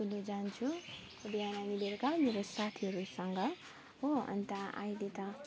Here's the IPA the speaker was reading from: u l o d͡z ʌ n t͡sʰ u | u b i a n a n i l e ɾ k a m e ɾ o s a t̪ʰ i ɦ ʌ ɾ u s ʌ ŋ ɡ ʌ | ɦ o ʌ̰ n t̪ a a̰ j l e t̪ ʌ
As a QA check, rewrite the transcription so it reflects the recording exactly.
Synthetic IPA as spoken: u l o d͡z a n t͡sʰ u | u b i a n a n i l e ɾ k a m e ɾ o s a t̪ʰ i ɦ ʌ ɾ u s ʌ ŋ ɡ ʌ | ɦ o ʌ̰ n t̪ a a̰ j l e t̪ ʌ